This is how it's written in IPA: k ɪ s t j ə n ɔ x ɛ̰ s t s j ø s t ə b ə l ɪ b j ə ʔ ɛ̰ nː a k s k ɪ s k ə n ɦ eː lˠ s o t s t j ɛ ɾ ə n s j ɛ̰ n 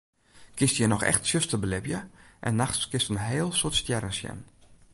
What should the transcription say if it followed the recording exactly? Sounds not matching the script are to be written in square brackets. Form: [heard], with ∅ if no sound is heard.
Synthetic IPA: k ɪ s t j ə n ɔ x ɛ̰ [x] t s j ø s t ə b ə l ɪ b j ə ʔ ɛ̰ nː a [x] s k ɪ s [t] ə n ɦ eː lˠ s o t s t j ɛ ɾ ə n s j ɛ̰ n